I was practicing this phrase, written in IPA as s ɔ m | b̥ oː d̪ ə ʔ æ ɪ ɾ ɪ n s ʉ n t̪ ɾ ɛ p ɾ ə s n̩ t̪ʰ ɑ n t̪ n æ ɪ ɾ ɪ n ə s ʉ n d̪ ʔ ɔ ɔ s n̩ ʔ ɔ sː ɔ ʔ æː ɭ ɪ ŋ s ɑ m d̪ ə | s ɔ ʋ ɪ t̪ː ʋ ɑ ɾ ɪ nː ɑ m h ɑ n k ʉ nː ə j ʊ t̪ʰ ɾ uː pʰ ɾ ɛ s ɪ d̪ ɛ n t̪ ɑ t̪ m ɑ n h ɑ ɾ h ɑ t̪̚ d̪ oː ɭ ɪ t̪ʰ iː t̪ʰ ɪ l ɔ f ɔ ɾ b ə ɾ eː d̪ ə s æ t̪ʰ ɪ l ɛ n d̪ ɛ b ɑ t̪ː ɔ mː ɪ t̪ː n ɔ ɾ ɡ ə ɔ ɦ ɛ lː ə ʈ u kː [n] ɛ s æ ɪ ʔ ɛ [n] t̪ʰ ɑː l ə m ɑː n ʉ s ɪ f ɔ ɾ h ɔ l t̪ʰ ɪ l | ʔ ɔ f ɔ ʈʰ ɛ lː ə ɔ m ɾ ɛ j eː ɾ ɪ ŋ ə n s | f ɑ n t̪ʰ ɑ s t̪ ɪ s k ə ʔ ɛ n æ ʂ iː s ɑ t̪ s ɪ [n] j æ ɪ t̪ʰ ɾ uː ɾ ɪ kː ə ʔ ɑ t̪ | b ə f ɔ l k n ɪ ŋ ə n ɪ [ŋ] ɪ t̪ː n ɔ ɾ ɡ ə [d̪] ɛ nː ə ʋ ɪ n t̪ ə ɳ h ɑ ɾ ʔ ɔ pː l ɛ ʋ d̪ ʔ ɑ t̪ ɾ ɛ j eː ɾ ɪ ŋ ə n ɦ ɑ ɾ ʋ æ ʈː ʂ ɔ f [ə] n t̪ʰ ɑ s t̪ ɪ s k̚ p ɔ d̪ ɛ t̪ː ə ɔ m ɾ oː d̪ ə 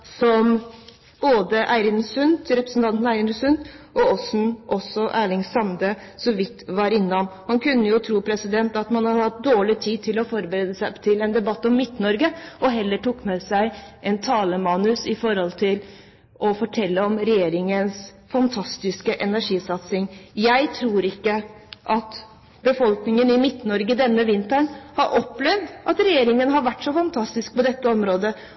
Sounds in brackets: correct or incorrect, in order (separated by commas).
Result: incorrect, correct, incorrect, incorrect, correct, incorrect